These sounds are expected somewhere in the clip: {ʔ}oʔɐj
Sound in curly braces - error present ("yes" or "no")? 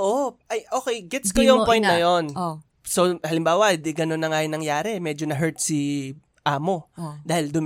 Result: no